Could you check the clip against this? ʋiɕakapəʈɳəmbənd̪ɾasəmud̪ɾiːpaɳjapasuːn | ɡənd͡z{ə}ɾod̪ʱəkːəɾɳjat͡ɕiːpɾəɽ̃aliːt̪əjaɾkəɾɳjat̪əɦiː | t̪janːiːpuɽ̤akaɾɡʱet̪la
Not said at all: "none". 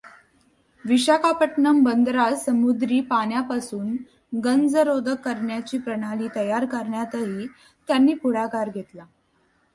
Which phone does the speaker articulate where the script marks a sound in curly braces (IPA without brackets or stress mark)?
ə